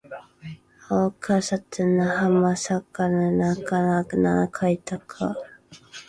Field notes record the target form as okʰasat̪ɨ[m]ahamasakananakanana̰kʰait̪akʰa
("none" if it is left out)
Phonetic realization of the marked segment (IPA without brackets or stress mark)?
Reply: n